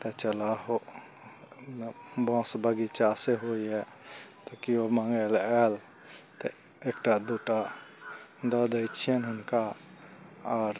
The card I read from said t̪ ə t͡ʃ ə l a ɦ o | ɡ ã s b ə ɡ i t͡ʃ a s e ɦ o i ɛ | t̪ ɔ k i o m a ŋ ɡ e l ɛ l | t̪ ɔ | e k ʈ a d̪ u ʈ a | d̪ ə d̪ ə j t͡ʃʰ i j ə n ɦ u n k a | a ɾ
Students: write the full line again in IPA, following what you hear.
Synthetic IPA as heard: t̪ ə t͡ʃ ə l a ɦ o | b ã s b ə ɡ i t͡ʃ a s e ɦ o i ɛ | t̪ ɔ k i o m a ŋ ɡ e l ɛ l | t̪ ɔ | e k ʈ a d̪ u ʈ a | d̪ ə d̪ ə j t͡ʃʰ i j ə n ɦ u n k a | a ɾ

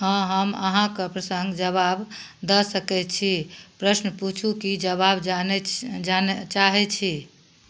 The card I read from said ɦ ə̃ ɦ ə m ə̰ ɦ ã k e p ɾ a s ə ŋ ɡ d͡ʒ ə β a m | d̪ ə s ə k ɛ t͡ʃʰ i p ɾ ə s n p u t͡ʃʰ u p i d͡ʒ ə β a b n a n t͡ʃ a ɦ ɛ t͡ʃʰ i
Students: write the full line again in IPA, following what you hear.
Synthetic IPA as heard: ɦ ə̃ ɦ ə m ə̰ ɦ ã k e p ɾ ə s ə ŋ ɡ d͡ʒ ə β a b | d̪ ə s ə k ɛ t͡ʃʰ i p ɾ ə s n p u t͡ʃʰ u k i d͡ʒ ə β a b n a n t͡ʃ a ɦ ɛ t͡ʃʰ i

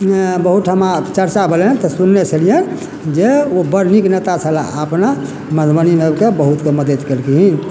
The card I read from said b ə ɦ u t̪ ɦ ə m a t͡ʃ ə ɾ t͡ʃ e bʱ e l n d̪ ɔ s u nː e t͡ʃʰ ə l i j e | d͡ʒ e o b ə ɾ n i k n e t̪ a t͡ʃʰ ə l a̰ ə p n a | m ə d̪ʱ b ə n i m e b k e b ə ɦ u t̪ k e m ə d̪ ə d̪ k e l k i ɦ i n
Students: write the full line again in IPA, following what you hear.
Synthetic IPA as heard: b ə ɦ u t̪ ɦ ə m a t͡ʃ ə ɾ t͡ʃ a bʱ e l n t̪ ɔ s u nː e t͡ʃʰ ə l i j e | d͡ʒ e o b ə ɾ n i k n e t̪ a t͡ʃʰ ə l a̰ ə p n a | m ə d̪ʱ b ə n i m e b k e b ə ɦ u t̪ k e m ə d̪ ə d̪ k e l k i ɦ i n

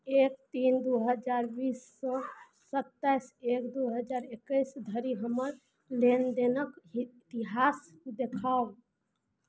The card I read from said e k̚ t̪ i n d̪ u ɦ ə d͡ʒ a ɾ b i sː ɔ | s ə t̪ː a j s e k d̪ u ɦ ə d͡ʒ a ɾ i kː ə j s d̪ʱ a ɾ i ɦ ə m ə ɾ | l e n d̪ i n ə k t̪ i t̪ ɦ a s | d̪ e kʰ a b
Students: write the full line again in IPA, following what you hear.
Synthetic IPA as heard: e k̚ t̪ i n d̪ u ɦ ə d͡ʒ a ɾ b i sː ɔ | s ə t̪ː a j s e k d̪ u ɦ ə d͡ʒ a ɾ e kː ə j s d̪ʱ ə ɾ i ɦ ə m ə ɾ | l e n d̪ e n ə k t̪ i ɦ a s | d̪ e kʰ a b

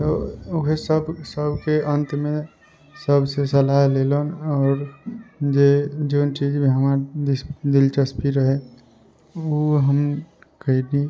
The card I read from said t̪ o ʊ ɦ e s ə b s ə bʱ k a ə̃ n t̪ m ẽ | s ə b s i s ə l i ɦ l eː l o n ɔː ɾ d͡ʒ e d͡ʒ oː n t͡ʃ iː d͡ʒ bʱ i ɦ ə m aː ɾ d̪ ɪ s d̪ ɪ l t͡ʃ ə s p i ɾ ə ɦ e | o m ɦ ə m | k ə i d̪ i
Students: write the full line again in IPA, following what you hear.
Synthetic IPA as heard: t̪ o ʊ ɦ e s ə b s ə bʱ k e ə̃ n t̪ m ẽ | s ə b s e s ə l a ɦ l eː l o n ɔː ɾ d͡ʒ e d͡ʒ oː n t͡ʃ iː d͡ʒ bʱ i ɦ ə m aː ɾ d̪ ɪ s d̪ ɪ l t͡ʃ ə s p i ɾ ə ɦ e | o ɦ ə m | k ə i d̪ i

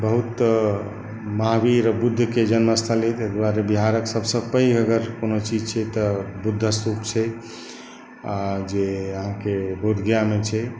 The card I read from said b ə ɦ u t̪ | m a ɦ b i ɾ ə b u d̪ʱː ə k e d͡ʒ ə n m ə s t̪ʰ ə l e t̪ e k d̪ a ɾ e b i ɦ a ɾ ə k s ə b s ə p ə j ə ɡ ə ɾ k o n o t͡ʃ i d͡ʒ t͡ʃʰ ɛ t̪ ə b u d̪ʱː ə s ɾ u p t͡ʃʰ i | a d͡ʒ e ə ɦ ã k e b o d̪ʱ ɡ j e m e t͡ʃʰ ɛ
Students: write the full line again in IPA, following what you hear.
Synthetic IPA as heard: b ə ɦ u t̪ | m a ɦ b i ɾ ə b u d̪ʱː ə k e d͡ʒ ə n m ə s t̪ʰ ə l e t̪ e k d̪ a ɾ e b i ɦ a ɾ ə k s ə b s ə p ə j ə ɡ ə ɾ k o n o t͡ʃ i d͡ʒ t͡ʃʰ ɛ t̪ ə b u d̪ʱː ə s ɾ u p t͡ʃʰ ɛ | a d͡ʒ e ə ɦ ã k e b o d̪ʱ ɡ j a m e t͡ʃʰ ɛ

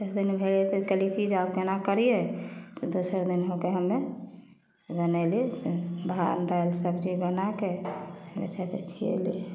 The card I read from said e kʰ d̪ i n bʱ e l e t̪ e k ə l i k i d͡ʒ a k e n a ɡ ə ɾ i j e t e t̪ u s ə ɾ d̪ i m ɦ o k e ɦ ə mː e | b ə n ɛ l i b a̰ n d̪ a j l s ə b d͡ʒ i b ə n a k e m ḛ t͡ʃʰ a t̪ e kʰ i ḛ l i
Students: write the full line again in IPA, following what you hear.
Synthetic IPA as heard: e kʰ d̪ i n bʱ e l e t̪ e k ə l i k i d͡ʒ a k e n a k ə ɾ i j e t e d̪ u s ə ɾ d̪ i n ɦ o k e ɦ ə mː e | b ə n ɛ l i b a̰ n d̪ a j l s ə b d͡ʒ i b ə n a k e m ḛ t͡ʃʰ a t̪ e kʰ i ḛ l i

